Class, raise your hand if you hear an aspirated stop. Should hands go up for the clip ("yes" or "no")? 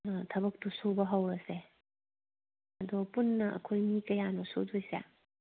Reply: yes